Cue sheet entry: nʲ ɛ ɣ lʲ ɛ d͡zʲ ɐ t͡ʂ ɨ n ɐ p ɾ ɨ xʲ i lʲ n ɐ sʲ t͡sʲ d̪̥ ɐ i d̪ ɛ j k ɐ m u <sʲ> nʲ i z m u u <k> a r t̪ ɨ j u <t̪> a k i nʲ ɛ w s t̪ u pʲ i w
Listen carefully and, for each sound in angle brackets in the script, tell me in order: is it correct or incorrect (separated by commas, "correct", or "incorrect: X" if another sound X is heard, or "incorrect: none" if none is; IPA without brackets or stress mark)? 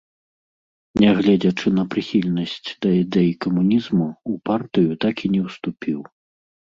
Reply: incorrect: none, incorrect: p, correct